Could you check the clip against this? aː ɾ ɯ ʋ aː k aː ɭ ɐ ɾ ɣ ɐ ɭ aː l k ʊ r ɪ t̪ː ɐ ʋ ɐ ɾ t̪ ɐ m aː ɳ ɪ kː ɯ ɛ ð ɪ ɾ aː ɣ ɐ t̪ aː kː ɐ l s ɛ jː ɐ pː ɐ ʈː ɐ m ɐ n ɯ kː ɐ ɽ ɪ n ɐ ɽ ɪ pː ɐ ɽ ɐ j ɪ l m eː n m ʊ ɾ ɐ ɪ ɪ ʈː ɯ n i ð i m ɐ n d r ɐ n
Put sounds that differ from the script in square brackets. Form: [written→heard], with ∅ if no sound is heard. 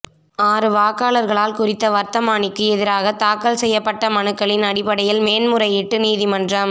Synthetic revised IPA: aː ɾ ɯ ʋ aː k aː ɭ ɐ ɾ ɣ ɐ ɭ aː l k ʊ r ɪ t̪ː ɐ ʋ ɐ ɾ t̪ ɐ m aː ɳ ɪ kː ɯ ɛ ð ɪ ɾ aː ɣ ɐ t̪ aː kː ɐ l s ɛ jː ɐ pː ɐ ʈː ɐ m ɐ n ɯ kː ɐ [ɽ→ɭ] ɪ n ɐ ɽ ɪ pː ɐ ɽ ɐ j ɪ l m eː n m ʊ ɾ ɐ ɪ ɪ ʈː ɯ n [i→iː] ð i m ɐ n d r ɐ [n→m]